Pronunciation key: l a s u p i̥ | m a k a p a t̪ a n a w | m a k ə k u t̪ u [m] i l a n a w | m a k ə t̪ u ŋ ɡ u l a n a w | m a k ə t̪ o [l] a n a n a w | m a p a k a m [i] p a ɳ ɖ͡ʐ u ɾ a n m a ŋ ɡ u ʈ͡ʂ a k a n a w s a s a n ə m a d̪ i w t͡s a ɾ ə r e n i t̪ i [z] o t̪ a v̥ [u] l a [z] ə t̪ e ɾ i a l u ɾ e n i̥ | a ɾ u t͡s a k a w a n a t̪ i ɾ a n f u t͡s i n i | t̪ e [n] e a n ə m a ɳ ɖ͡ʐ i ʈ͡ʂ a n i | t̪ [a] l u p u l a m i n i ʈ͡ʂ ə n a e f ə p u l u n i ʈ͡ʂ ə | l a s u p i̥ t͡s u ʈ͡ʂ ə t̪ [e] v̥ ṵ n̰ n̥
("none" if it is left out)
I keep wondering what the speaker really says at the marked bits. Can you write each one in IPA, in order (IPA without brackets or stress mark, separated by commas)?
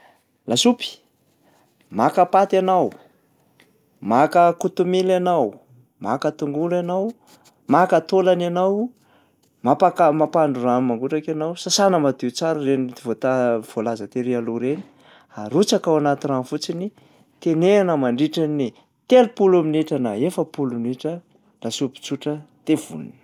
m, l, a, v, o, z, n, e, e